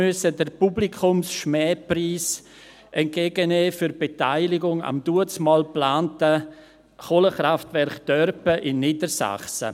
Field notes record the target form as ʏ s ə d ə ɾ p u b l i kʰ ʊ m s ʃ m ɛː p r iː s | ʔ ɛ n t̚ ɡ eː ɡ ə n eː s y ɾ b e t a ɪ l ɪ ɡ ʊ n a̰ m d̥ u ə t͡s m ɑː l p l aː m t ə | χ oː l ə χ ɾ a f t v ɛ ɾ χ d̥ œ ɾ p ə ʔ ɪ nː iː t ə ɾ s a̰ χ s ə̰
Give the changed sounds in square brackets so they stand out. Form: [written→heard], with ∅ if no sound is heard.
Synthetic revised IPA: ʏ s ə d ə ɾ p u b l i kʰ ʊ m s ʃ m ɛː p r iː s | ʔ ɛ n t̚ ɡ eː ɡ ə n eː [s→f] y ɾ b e t a ɪ l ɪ ɡ ʊ [n→ŋ] a̰ m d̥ u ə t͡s m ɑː l p l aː [m→n] t ə | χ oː l ə χ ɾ a f t v ɛ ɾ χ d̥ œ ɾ p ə ʔ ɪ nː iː [t→d] ə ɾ s a̰ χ s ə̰

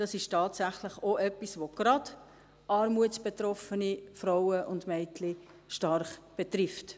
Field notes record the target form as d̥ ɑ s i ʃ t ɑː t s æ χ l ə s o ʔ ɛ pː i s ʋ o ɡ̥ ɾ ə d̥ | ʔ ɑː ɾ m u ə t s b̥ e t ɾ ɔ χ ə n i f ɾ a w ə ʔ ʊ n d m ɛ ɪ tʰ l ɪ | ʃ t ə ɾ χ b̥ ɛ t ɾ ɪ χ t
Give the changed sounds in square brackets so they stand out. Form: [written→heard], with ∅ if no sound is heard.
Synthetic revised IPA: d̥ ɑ s [i→ɪ] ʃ t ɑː t s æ χ l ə [s→χ] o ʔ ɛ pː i s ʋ o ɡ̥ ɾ [ə→ɑ] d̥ | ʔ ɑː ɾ m u ə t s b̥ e t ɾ ɔ [χ→f] ə n i f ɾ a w ə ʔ ʊ n d m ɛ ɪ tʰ l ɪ | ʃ t [ə→ɑ] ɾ χ b̥ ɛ t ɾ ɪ [χ→f] t

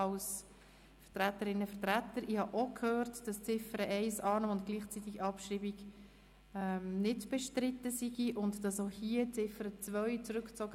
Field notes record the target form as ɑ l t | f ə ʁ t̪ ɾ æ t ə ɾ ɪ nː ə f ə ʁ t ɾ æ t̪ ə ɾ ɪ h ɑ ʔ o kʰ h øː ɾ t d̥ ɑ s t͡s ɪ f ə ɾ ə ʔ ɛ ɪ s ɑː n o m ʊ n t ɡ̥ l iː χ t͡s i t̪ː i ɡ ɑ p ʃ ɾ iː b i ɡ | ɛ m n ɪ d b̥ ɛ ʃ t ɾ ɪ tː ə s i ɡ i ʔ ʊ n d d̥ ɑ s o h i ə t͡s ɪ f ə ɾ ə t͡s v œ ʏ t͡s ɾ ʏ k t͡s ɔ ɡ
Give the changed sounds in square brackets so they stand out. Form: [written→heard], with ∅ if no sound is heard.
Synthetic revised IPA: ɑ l [t→s] | f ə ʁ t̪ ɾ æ t ə ɾ ɪ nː ə f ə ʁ t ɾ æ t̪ ə ɾ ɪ h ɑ ʔ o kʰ h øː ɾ t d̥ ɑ s t͡s ɪ f ə ɾ ə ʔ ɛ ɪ s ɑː n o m ʊ n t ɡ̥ l iː χ t͡s i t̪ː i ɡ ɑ p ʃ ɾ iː b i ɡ | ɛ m n ɪ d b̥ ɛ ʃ t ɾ ɪ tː ə s i ɡ i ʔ ʊ n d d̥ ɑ s o h i ə t͡s ɪ f ə ɾ ə t͡s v œ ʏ t͡s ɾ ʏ k t͡s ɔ ɡ

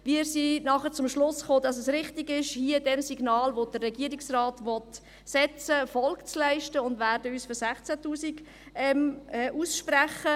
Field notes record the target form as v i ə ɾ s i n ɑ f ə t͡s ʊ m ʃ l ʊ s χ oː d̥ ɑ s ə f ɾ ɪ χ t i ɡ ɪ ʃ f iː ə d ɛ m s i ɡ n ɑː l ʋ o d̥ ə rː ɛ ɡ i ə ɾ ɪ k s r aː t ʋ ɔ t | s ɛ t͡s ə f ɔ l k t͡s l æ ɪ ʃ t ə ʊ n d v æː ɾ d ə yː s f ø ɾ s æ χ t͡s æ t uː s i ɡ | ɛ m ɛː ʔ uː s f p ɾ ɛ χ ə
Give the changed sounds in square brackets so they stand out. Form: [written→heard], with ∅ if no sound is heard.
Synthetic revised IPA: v i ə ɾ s i n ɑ [f→χ] ə t͡s ʊ m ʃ l ʊ s χ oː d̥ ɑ s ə [f→s] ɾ ɪ χ t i ɡ ɪ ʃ [f→h] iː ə d ɛ m s i ɡ n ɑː l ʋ o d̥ ə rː ɛ ɡ i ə ɾ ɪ k s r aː t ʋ ɔ t | s ɛ t͡s ə f ɔ l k t͡s l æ ɪ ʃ t ə ʊ n d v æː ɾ d ə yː s f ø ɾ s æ χ t͡s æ t uː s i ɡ | ɛ m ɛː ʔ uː s [f→ʃ] p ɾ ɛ χ ə

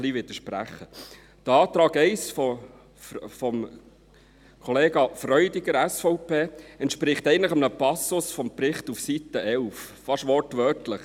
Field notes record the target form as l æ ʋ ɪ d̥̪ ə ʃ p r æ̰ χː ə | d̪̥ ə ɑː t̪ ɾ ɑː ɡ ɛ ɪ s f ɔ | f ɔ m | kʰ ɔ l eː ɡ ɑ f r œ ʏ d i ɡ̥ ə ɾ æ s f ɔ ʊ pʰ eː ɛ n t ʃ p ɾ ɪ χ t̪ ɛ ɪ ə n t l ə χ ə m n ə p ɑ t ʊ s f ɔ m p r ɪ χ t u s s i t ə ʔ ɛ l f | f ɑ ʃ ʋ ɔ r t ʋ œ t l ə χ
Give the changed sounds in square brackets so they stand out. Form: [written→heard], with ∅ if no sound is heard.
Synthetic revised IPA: l [æ→i] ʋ ɪ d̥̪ ə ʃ p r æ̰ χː ə | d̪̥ ə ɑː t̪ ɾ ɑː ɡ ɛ ɪ s f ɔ | f ɔ m | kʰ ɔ l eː ɡ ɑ f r œ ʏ d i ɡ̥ ə ɾ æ s f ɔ ʊ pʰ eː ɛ n t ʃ p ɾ ɪ χ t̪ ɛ ɪ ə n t l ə χ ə m n ə p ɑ [t→s] ʊ s f ɔ m p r ɪ χ t u [s→f] s i t ə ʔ ɛ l f | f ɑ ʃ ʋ ɔ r t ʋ œ t l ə χ

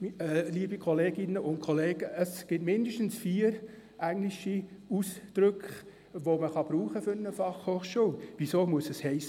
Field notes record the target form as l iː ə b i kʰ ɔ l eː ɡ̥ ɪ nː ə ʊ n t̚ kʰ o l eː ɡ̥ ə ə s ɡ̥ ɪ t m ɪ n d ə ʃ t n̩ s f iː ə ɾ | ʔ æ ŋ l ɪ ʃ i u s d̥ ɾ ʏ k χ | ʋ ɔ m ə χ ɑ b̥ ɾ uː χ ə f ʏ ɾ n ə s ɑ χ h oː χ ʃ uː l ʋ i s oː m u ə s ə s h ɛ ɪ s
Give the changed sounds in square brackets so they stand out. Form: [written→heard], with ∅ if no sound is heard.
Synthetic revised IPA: l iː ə b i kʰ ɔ l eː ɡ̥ ɪ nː ə ʊ n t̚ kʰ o l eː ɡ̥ ə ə s ɡ̥ ɪ t m ɪ n d ə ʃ t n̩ s f iː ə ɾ | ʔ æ ŋ l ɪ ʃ i u s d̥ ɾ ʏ k χ | ʋ [ɔ→o] m ə χ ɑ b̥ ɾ uː χ ə f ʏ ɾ n ə [s→f] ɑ χ h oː χ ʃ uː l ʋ i s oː m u ə s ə s h ɛ ɪ s

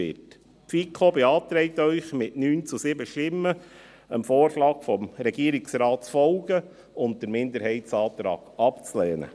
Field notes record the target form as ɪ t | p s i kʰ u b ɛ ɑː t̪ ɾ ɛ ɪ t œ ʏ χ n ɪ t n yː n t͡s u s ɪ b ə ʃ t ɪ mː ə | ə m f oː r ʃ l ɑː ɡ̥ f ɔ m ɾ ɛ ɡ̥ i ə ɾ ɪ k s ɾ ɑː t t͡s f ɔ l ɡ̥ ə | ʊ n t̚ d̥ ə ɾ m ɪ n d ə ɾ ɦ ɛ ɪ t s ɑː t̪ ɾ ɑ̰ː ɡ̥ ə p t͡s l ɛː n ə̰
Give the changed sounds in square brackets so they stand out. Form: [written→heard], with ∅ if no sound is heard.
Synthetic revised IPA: ɪ t | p [s→f] i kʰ [u→o] b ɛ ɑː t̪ ɾ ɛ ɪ t œ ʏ χ [n→m] ɪ t n yː n t͡s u s ɪ b ə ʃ t ɪ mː ə | ə m f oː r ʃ l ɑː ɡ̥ f ɔ m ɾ ɛ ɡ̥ i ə ɾ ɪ k s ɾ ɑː t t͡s f ɔ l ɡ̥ ə | ʊ n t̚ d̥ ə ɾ m ɪ n d ə ɾ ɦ ɛ ɪ t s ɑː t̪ ɾ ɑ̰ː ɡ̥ [ə→ɑ] p t͡s l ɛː n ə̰

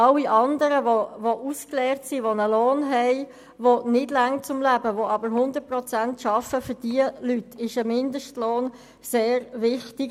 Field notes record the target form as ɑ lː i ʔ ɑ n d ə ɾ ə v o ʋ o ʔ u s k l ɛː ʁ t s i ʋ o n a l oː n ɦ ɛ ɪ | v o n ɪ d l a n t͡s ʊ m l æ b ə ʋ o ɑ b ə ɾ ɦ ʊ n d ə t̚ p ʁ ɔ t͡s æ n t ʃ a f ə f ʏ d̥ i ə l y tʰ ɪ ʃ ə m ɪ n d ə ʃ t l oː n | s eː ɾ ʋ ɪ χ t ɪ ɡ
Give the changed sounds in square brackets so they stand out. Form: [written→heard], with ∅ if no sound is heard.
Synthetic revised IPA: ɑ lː i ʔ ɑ n d ə ɾ ə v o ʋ o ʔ u s k l ɛː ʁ t s i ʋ o n [a→ə] l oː n ɦ ɛ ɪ | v o n ɪ d l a [n→ŋ] t͡s ʊ m l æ b ə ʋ o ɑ b ə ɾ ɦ ʊ n d ə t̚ p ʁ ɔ t͡s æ n t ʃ [a→ɑ] f ə f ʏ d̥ i ə l y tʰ ɪ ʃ ə m ɪ n d ə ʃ t l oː n | s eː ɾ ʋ ɪ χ t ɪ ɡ

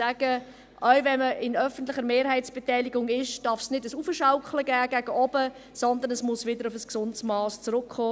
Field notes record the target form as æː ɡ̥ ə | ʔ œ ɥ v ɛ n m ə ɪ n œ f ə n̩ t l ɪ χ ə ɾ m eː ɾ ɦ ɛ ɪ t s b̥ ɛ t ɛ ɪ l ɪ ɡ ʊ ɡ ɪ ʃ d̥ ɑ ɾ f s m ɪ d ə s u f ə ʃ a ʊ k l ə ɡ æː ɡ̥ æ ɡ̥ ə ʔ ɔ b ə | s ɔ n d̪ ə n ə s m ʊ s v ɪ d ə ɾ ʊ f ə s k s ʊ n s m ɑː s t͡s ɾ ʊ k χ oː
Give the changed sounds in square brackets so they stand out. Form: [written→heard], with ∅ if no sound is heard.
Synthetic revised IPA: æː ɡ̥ ə | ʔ œ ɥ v ɛ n m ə ɪ n œ f ə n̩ t l ɪ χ ə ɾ m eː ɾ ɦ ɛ ɪ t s b̥ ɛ t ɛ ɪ l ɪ ɡ ʊ [ɡ→ŋ] ɪ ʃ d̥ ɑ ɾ f s [m→n] ɪ d ə s u f ə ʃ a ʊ k l ə ɡ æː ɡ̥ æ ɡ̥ ə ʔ ɔ b ə | s ɔ n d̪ ə n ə s m ʊ s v ɪ d ə ɾ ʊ f ə s k s ʊ n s m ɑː s t͡s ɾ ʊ k χ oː

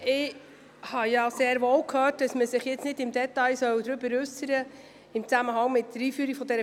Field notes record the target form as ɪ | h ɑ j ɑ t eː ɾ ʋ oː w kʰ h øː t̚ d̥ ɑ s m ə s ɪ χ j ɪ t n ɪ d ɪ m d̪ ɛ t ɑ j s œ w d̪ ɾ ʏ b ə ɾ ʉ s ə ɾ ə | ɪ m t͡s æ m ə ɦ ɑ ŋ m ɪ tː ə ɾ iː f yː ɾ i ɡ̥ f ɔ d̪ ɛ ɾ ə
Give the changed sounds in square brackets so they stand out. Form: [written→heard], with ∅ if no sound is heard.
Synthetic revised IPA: ɪ | h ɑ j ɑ [t→s] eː ɾ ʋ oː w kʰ h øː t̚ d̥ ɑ s m ə s ɪ χ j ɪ [t→t͡s] n ɪ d ɪ m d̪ ɛ t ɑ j s œ w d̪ ɾ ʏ b ə ɾ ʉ s ə ɾ ə | ɪ m t͡s æ m ə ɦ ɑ ŋ m ɪ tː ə ɾ iː f yː ɾ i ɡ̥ f ɔ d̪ ɛ ɾ ə

